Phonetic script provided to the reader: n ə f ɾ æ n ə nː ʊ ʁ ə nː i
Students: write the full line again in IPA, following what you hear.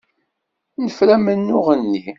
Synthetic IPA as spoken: n ə f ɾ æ m ə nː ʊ ʁ ə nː i